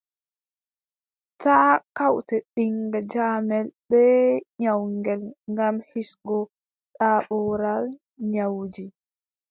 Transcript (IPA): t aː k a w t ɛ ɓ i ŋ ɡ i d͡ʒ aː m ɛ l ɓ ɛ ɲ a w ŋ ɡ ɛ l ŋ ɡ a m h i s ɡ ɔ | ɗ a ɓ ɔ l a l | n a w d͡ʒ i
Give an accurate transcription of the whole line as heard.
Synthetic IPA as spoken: t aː k a w t ɛ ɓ i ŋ ɡ a d͡ʒ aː m ɛ l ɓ ɛ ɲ a w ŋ ɡ ɛ l ŋ ɡ a m h i s ɡ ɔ | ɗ a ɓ ɔ ɾ a l | ɲ a w d͡ʒ i